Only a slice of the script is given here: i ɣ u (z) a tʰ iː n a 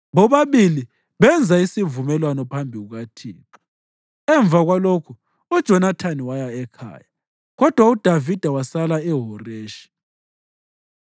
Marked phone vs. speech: incorrect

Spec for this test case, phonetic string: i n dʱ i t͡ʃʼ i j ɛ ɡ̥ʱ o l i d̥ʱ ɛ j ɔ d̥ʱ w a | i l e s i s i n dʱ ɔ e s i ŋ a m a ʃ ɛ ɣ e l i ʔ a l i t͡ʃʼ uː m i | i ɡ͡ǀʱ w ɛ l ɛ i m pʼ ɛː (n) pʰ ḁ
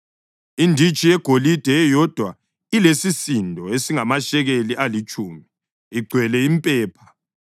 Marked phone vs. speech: incorrect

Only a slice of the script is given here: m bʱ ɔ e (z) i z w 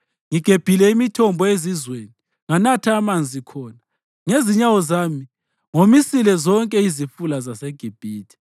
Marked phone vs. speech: correct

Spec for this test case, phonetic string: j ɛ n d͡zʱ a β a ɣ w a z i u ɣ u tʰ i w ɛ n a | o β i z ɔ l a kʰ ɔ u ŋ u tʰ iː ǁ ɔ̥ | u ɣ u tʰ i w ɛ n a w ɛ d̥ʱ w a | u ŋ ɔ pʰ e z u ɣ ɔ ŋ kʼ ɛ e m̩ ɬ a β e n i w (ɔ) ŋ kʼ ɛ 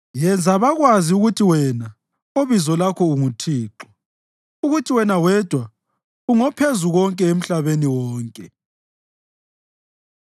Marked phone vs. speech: incorrect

